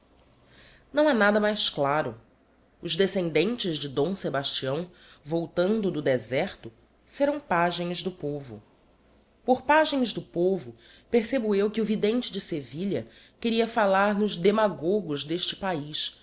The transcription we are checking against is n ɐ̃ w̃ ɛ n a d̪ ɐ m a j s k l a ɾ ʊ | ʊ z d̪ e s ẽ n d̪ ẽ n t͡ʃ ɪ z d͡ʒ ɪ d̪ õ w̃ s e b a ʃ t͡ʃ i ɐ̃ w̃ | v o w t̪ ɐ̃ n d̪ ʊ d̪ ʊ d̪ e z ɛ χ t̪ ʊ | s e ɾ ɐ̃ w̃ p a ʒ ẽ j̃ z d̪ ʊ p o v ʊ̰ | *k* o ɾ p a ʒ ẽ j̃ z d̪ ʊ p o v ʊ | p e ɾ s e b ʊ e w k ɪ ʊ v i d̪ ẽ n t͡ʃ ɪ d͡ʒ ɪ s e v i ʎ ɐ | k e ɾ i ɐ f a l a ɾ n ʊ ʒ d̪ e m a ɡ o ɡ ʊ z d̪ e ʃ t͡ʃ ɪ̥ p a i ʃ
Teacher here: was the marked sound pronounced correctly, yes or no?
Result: no